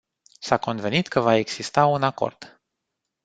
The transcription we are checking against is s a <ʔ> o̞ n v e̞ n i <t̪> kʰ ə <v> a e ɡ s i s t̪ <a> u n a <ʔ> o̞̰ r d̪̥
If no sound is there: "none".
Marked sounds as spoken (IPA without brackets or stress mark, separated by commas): k, t̪, v, a, k